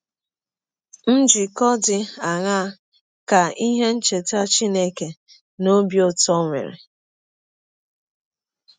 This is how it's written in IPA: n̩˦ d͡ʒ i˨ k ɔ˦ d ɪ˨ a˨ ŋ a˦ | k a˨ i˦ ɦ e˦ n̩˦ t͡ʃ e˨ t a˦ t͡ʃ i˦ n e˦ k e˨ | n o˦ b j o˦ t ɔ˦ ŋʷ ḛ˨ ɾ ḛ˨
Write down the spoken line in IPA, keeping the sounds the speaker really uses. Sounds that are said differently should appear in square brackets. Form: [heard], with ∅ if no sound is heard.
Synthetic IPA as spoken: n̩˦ d͡ʒ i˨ k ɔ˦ d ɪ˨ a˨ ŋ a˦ | k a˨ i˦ ɦ e˦ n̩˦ t͡ʃ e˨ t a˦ t͡ʃ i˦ n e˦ k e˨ | n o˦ b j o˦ t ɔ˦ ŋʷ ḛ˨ ɾ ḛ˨